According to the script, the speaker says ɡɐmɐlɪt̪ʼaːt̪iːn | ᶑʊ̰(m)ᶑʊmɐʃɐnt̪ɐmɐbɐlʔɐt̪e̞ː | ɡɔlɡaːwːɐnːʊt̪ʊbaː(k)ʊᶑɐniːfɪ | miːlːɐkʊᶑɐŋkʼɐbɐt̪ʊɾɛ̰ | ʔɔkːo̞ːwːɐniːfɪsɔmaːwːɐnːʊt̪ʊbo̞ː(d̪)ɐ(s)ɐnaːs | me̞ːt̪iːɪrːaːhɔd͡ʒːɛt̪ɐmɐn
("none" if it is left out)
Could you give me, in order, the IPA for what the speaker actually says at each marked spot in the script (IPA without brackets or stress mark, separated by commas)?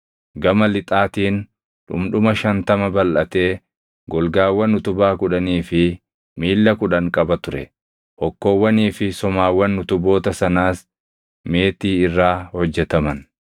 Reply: m, k, t̪, s